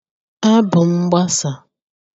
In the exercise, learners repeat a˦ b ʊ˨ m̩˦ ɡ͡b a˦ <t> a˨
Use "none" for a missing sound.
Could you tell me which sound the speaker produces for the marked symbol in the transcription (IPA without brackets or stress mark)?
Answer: s